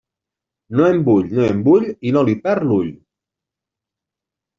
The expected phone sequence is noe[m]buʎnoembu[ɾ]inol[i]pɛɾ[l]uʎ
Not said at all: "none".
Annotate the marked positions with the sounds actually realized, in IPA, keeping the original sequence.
m, ʎ, i, l

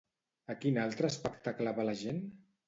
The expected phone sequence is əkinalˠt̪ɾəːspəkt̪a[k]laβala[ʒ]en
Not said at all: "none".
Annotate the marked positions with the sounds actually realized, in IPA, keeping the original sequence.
k, ʒ

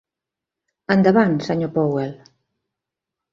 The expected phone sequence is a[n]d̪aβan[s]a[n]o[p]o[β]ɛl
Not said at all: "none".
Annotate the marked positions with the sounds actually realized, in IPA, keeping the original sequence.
n, s, ɲ, p, w

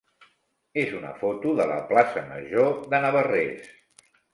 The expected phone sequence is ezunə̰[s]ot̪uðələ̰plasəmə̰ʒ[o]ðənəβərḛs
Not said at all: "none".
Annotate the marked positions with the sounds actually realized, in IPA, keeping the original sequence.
f, o

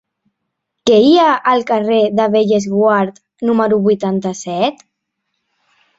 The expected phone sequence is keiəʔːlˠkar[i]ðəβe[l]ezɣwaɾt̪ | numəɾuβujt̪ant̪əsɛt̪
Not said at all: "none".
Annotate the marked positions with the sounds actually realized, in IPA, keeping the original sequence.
e, ʎ

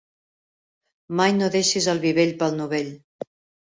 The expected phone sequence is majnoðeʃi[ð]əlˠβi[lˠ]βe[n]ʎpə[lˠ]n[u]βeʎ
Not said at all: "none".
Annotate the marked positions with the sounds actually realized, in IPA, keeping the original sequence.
z, none, none, lˠ, u

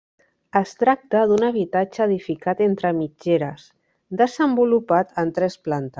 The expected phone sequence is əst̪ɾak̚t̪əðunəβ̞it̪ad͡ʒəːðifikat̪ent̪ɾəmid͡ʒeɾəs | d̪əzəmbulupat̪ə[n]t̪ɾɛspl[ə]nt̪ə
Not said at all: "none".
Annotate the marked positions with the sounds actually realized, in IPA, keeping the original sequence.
n, a

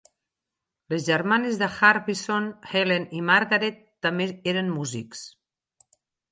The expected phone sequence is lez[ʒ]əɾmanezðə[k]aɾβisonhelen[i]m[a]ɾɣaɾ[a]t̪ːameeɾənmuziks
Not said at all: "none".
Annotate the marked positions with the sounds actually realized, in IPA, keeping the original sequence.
ʒ, x, i, a, e

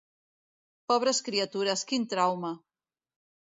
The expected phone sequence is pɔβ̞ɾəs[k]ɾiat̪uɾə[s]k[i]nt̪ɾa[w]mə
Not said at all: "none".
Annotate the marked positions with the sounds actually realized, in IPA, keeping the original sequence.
k, s, i, w

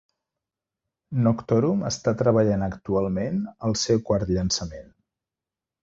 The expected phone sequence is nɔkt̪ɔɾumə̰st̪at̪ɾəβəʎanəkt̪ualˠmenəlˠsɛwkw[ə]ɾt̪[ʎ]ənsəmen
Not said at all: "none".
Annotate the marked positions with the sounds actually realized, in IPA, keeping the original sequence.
a, ʎ

